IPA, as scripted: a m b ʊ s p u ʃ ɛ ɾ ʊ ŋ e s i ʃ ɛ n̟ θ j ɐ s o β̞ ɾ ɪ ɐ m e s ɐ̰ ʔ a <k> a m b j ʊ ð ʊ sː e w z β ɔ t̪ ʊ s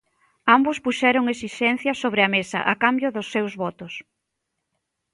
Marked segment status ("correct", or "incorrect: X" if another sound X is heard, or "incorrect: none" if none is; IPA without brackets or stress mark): correct